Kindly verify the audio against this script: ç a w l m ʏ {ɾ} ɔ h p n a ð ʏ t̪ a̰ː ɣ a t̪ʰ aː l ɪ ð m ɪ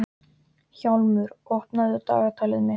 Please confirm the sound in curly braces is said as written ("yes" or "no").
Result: yes